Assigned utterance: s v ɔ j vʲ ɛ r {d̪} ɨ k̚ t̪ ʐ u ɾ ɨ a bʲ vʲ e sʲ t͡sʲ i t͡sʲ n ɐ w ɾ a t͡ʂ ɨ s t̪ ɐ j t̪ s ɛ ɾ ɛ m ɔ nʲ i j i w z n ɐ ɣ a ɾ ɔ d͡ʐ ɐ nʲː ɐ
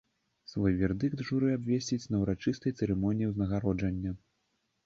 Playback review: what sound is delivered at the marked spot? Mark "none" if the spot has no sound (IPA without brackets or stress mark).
d̪